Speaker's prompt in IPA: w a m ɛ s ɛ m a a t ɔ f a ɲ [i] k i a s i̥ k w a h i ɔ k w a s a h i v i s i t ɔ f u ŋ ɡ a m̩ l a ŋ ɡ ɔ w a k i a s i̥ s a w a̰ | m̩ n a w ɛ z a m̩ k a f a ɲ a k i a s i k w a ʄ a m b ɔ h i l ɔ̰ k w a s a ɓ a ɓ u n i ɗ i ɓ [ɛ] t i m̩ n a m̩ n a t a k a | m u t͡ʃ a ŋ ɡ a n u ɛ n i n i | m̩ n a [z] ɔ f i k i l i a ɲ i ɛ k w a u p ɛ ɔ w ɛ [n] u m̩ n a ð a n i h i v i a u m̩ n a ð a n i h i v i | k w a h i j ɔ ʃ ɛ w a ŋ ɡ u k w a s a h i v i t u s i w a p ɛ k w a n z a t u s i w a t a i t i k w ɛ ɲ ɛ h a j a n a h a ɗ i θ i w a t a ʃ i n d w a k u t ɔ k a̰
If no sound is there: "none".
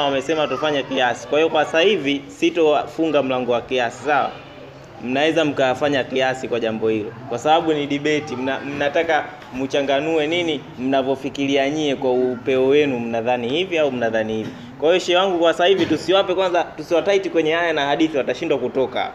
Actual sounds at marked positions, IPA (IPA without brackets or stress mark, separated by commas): a, ɛ, v, n